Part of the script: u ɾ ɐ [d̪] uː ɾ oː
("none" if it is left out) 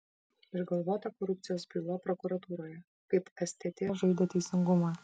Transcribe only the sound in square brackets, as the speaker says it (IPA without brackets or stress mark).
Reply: t̪